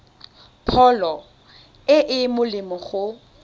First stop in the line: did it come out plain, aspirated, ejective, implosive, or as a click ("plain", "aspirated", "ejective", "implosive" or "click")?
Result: aspirated